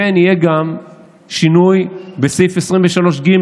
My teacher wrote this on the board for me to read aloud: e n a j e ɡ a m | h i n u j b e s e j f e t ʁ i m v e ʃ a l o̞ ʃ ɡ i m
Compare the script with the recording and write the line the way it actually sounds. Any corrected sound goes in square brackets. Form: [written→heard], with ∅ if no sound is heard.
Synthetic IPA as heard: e n [a→i] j e ɡ a m | [h→ʃ] i n u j b e s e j f e [t→s] ʁ i m v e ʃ a l o̞ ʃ ɡ i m

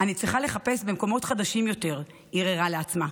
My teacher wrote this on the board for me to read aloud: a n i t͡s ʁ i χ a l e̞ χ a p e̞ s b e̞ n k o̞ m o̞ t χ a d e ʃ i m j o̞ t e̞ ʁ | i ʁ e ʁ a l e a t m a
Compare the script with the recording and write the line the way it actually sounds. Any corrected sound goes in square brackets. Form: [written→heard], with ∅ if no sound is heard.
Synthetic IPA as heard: a n i t͡s ʁ i χ a l e̞ χ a p e̞ s b e̞ [n→m] k o̞ m o̞ t χ a d [e→a] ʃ i m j o̞ t e̞ ʁ | i ʁ e ʁ a l e a [t→t͡s] m a

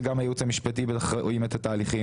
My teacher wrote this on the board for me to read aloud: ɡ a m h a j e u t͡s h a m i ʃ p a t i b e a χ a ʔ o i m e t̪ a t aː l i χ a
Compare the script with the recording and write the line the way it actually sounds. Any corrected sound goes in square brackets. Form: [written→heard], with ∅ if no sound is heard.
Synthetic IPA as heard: ɡ a m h a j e u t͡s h a m i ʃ p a t i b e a χ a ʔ o i m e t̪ a t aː l i χ [a→i]

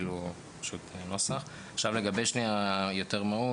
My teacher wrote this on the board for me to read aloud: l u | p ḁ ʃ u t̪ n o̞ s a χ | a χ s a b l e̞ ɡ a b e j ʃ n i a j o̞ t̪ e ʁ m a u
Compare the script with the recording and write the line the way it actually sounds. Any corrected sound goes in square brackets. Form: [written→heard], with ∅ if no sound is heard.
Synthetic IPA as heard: l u | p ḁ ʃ u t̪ n o̞ s a χ | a χ [s→ʃ] a [b→v] l e̞ ɡ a b e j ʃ n i a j o̞ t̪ e ʁ m a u

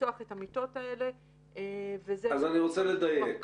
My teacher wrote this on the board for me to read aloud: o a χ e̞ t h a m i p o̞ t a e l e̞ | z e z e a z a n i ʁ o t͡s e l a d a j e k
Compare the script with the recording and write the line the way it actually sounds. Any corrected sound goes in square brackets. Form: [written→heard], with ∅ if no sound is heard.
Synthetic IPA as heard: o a χ e̞ t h a m i [p→t] o̞ t a e l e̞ | [z→v] e z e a z a n i ʁ o t͡s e l [a→e] d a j e k

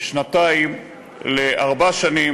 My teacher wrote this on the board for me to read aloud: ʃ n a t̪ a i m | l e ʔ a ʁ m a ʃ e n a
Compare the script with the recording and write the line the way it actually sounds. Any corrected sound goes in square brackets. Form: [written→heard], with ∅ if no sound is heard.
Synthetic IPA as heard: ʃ n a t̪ a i m | l e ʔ a ʁ [m→b] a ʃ [e→a] n [a→i]

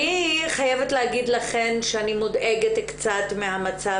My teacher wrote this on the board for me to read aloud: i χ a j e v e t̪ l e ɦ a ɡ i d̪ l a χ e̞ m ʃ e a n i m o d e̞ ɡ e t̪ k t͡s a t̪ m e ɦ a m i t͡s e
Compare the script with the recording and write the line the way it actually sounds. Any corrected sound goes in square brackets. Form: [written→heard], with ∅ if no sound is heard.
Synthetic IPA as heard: i χ a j e v e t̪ l e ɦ a ɡ i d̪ l a χ e̞ [m→n] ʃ e a n i m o d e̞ ɡ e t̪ k t͡s a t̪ m e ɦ a m [i→a] t͡s [e→a]

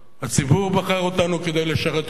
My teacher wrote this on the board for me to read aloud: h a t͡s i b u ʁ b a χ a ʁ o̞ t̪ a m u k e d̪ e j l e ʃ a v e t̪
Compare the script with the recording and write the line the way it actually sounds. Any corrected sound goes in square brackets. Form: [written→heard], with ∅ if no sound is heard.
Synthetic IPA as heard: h a t͡s i b u ʁ b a χ a ʁ o̞ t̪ a [m→n] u k e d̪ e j l e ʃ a [v→ʁ] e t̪

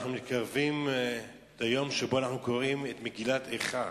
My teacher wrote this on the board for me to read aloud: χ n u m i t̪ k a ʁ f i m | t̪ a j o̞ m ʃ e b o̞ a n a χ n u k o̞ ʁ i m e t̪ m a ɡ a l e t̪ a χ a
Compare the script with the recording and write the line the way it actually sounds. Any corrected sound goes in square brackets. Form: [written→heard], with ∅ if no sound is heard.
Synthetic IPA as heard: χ n u m i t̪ k a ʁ [f→v] i m | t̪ a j o̞ m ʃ e b o̞ a n a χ n u k o̞ ʁ i m e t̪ m [a→e] ɡ [a→i] l [e→a] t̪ [a→e] χ a

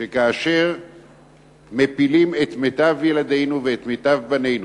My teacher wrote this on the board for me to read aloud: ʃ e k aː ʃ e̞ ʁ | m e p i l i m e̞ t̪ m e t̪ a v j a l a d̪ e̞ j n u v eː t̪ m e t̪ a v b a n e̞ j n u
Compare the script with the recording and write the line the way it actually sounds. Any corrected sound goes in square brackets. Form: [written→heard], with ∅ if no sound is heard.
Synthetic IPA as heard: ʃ e k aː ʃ e̞ ʁ | m e p i l i m e̞ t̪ m e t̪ a v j [a→e] l a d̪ e̞ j n u v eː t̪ m e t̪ a v b a n e̞ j n u

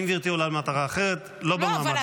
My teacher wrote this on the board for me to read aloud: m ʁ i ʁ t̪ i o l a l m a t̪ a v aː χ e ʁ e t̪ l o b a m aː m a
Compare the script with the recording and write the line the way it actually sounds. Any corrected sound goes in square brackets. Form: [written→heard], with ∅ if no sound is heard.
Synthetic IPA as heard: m [ʁ→v] i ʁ t̪ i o l a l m a t̪ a [v→ʁ] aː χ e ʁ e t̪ l o b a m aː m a

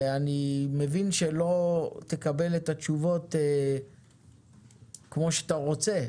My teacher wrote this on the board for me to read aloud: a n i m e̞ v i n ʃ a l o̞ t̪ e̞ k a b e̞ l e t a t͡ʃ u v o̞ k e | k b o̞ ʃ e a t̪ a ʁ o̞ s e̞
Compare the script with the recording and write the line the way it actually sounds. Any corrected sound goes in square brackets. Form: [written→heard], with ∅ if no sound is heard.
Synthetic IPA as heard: a n i m e̞ v i n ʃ [a→e] l o̞ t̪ e̞ k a b e̞ l e t a t͡ʃ u v o̞ [k→t] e | k [b→m] o̞ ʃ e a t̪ a ʁ o̞ [s→t͡s] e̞

